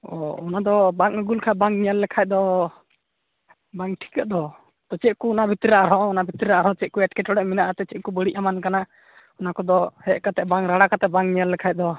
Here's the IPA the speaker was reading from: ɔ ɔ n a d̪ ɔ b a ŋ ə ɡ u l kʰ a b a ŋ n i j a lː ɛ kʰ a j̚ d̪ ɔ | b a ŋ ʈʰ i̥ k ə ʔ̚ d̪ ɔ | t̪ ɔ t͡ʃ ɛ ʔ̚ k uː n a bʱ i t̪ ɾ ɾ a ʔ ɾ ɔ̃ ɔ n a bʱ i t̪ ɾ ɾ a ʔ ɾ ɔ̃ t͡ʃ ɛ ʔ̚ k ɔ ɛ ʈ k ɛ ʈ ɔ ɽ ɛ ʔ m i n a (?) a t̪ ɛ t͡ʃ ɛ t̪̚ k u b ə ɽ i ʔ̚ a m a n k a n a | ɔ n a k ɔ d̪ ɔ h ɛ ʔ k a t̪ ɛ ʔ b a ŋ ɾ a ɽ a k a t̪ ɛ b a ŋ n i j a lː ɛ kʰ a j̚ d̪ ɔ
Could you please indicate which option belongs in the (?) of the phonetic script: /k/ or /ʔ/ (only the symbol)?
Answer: ʔ